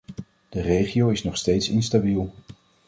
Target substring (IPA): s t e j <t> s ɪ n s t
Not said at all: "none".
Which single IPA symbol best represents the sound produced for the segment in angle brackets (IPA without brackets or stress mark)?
t